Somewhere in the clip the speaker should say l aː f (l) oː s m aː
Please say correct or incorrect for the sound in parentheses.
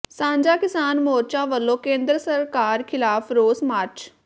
incorrect